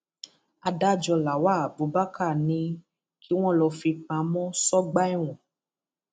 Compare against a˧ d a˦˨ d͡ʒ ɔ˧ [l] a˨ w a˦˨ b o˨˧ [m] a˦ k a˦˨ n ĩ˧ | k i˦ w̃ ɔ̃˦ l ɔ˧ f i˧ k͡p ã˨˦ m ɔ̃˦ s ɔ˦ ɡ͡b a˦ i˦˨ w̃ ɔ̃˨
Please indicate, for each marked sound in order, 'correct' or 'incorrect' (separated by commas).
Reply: correct, incorrect